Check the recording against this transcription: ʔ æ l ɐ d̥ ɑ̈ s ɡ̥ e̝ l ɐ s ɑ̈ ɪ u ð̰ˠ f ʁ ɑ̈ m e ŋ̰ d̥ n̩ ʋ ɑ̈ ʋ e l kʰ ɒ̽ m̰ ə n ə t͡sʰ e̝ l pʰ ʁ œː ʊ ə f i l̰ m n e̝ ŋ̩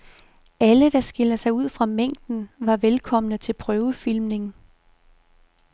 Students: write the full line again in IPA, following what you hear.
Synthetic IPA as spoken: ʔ æ l ə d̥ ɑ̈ s ɡ̥ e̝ l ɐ s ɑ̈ ɪ u ð̰ˠ f ʁ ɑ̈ m e ŋ̰ d̥ n̩ ʋ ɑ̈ ʋ e l kʰ ɒ̽ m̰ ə n ə t͡sʰ e̝ l pʰ ʁ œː ʊ ə f i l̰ m n e̝ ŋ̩